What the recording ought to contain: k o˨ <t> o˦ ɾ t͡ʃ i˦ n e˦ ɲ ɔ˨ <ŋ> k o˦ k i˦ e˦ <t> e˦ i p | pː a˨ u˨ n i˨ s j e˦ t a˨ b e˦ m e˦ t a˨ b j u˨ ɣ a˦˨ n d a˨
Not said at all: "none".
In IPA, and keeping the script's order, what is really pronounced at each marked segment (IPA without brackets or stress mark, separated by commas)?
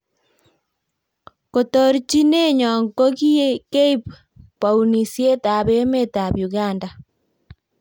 t, ŋ, k